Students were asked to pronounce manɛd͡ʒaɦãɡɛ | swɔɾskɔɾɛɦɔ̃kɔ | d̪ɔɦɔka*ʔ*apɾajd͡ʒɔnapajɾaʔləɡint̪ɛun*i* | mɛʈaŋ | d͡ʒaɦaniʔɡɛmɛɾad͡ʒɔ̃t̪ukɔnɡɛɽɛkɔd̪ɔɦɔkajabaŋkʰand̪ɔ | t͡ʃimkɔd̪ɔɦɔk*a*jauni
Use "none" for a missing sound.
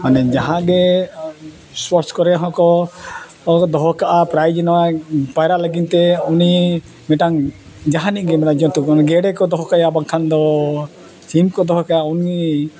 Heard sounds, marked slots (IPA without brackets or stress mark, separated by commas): ʔ, i, a